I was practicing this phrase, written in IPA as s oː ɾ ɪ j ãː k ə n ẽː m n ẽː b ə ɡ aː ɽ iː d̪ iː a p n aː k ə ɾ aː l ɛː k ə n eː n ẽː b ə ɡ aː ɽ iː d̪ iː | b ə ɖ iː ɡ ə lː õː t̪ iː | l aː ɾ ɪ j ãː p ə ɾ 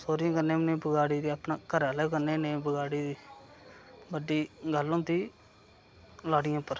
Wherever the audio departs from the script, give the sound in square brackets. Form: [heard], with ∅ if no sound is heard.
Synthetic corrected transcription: s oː ɾ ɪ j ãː k ə n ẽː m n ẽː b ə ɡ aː ɽ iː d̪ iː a p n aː k ə ɾ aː l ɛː k ə n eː n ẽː b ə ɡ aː ɽ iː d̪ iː | b ə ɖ iː ɡ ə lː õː t̪ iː | l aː [ɽ] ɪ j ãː p ə ɾ

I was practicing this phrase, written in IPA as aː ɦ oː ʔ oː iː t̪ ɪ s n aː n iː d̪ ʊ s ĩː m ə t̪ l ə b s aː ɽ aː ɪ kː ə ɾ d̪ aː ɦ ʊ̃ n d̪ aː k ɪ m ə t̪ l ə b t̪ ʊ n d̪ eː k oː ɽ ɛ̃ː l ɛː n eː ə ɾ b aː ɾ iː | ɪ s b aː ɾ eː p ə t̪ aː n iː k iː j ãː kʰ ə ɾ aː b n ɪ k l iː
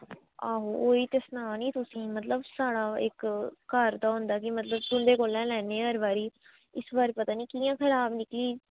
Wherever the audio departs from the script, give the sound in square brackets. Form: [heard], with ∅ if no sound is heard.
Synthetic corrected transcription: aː ɦ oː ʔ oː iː t̪ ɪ s n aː n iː [t̪] ʊ s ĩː m ə t̪ l ə b s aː ɽ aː ɪ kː ə ɾ d̪ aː ɦ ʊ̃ n d̪ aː k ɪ m ə t̪ l ə b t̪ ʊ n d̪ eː k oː [l] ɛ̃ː l ɛː n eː ə ɾ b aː ɾ iː | ɪ s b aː ɾ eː p ə t̪ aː n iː k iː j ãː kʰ ə ɾ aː b n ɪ k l iː

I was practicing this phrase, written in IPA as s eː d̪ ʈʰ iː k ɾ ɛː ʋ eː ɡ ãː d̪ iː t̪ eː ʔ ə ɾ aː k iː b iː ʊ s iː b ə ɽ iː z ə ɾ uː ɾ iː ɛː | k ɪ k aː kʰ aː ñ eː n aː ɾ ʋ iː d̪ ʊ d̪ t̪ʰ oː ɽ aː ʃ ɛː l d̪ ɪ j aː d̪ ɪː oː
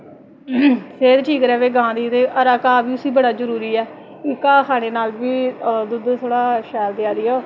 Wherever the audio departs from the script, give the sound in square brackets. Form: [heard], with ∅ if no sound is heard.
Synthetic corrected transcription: s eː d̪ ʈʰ iː k ɾ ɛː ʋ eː ɡ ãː d̪ iː t̪ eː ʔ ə ɾ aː k [aː] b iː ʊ s iː b ə ɽ [aː] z ə ɾ uː ɾ iː ɛː | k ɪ k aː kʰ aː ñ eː n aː [l] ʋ iː d̪ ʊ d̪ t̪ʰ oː ɽ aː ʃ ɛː l d̪ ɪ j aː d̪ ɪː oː

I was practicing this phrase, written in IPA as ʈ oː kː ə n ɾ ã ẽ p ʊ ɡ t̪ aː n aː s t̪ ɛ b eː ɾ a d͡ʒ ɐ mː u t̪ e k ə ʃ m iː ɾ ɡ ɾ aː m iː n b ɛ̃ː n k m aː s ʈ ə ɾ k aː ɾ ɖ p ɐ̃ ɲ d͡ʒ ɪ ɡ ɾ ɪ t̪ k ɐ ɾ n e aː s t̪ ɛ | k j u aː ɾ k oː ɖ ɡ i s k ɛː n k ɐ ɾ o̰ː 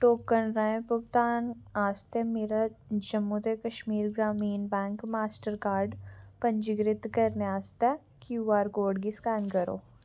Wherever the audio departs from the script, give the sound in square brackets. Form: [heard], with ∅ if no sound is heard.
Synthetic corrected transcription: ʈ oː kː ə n ɾ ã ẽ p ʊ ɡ t̪ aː n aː s t̪ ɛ [m] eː ɾ a d͡ʒ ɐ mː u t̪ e k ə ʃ m iː ɾ ɡ ɾ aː m iː n b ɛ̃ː [ŋ] k m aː s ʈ ə ɾ k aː ɾ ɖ p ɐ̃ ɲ d͡ʒ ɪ ɡ ɾ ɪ t̪ k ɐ ɾ n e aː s t̪ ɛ | k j u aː ɾ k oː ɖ ɡ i s k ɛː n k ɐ ɾ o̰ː

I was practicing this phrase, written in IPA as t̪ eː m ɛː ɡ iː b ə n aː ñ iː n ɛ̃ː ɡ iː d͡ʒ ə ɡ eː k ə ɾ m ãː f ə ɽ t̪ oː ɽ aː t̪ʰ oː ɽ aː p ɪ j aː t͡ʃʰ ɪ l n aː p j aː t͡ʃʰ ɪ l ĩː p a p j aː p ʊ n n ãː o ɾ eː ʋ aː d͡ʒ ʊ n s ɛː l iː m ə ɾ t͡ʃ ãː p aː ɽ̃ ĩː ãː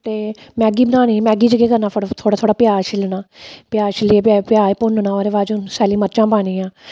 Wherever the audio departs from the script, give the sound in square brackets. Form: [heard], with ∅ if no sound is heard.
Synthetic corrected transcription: t̪ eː m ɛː ɡ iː b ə n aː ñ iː [m] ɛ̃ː ɡ iː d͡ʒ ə ɡ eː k ə ɾ [n] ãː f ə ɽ [t̪ʰ] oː ɽ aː t̪ʰ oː ɽ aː p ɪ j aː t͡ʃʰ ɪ l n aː p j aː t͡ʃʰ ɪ l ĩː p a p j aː p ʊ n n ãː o ɾ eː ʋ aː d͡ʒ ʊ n s ɛː l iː m ə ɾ t͡ʃ ãː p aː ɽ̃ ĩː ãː

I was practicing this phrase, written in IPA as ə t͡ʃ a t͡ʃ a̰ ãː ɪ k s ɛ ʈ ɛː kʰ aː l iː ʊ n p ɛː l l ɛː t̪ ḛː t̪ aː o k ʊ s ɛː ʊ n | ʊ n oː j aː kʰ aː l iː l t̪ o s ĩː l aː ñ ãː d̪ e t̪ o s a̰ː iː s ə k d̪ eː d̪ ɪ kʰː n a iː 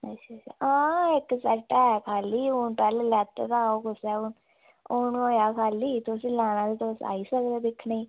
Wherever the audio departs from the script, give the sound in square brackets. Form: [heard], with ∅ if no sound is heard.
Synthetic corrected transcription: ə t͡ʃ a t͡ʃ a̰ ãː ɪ k s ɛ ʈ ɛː kʰ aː l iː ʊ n p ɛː l l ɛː t̪ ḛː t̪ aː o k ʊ s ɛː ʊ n | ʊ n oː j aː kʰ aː l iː [∅] t̪ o s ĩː l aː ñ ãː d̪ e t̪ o s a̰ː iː s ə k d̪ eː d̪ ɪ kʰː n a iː

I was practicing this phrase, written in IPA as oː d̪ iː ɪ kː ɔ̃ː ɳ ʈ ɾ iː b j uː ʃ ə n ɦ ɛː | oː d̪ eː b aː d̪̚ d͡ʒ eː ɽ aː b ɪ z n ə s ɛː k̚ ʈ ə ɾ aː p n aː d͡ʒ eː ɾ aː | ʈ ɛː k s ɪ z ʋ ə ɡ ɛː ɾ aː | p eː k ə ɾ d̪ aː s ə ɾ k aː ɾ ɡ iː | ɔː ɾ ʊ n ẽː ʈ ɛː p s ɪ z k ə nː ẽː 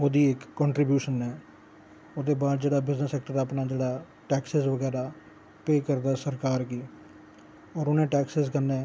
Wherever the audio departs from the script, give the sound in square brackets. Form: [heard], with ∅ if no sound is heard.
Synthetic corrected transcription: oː d̪ iː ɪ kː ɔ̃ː ɳ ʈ ɾ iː b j uː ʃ ə n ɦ ɛː | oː d̪ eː b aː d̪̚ d͡ʒ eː ɽ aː b ɪ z n ə s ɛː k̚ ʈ ə ɾ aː p n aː d͡ʒ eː [ɽ] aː | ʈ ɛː k s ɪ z ʋ ə ɡ ɛː ɾ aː | p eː k ə ɾ d̪ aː s ə ɾ k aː ɾ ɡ iː | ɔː ɾ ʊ n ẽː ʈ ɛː [k] s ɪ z k ə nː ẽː

